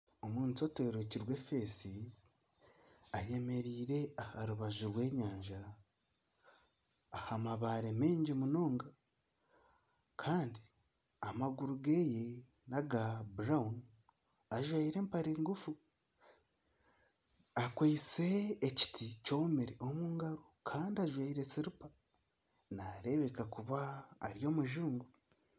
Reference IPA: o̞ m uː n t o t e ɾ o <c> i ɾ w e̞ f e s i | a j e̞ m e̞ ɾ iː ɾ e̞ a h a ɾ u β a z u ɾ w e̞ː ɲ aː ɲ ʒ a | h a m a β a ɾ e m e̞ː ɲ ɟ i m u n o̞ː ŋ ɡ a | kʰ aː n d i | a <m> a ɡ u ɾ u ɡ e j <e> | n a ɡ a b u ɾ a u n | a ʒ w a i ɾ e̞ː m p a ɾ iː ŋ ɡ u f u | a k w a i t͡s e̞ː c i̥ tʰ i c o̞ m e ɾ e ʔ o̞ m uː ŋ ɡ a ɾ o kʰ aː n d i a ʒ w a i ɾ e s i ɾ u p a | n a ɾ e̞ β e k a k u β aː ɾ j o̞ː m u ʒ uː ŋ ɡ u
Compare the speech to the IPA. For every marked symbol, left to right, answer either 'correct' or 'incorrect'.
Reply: correct, correct, correct

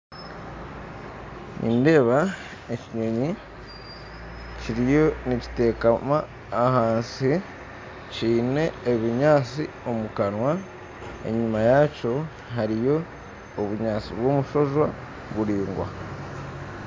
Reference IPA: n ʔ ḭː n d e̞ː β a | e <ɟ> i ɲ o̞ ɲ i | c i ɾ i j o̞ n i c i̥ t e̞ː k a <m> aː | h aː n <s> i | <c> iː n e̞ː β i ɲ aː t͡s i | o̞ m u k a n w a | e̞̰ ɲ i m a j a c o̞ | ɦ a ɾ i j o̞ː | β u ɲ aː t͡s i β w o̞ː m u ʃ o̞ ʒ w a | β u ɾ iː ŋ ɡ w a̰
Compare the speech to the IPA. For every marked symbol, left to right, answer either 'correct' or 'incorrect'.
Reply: incorrect, correct, correct, correct

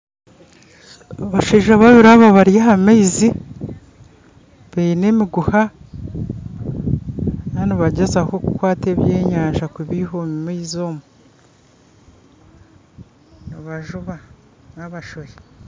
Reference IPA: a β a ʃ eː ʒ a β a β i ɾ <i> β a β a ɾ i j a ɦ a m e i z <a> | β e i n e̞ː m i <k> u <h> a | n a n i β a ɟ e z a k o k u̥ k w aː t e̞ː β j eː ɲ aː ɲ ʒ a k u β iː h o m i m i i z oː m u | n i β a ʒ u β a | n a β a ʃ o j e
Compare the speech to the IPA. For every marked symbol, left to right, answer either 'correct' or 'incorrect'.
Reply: incorrect, incorrect, incorrect, correct

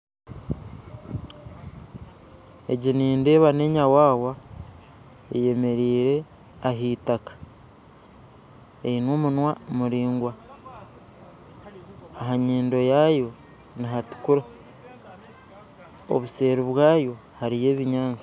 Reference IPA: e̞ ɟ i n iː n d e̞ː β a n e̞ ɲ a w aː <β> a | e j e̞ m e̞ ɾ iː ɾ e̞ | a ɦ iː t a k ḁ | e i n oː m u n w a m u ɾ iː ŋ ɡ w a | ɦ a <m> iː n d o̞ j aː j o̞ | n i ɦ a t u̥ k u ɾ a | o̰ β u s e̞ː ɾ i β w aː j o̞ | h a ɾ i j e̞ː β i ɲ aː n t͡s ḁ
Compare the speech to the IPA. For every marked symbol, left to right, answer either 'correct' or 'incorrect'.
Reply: incorrect, incorrect

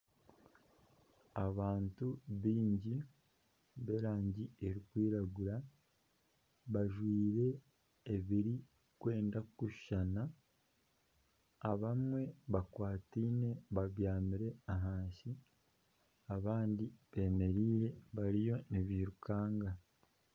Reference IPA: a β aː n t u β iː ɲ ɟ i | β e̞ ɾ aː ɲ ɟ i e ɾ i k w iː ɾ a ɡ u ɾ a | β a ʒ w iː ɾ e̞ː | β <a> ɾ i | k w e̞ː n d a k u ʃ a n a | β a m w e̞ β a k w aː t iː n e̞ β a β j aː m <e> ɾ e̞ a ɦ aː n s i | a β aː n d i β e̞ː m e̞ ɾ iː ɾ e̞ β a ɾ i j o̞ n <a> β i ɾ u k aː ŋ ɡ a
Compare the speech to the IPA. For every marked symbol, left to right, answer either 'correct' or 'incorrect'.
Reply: incorrect, incorrect, incorrect

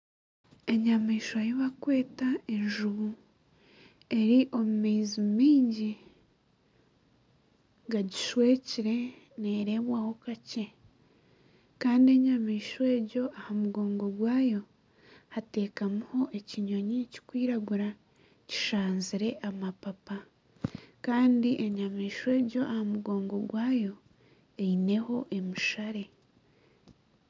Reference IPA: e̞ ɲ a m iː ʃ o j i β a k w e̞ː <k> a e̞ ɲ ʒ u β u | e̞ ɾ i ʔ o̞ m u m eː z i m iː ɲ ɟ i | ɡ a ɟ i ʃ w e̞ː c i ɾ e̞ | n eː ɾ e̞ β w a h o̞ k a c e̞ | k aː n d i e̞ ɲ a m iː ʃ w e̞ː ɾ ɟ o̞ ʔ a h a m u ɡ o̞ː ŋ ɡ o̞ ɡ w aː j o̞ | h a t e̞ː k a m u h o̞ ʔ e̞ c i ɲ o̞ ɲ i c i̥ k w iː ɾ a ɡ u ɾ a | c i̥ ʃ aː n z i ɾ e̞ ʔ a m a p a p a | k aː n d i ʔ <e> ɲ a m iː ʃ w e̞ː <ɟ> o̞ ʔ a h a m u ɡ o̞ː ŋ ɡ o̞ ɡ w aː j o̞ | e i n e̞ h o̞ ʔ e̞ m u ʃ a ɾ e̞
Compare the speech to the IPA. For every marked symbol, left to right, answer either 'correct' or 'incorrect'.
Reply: incorrect, correct, correct

